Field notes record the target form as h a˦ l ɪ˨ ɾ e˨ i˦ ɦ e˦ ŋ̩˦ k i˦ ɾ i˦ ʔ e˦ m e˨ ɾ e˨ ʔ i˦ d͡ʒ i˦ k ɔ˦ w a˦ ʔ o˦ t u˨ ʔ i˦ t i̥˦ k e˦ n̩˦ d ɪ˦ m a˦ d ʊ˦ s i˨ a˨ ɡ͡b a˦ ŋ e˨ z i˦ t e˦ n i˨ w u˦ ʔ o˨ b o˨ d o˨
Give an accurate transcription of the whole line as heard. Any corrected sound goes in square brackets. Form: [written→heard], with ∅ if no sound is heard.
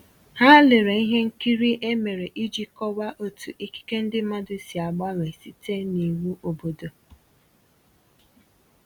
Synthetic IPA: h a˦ l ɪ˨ ɾ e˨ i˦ ɦ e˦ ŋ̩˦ k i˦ ɾ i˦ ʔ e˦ m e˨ ɾ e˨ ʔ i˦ d͡ʒ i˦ k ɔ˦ w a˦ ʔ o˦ t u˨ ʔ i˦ [t→k] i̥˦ k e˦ n̩˦ d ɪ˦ m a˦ d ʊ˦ s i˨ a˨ ɡ͡b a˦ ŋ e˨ [z→s] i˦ t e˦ n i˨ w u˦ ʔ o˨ b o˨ d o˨